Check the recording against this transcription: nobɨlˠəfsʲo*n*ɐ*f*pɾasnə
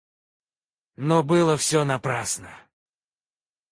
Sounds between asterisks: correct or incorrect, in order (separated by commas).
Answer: correct, incorrect